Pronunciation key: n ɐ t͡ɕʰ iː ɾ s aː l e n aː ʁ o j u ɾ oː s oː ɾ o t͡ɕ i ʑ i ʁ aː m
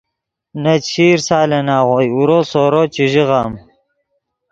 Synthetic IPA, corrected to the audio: n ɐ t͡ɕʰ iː ɾ s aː l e n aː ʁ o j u ɾ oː s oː ɾ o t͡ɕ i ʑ i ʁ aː m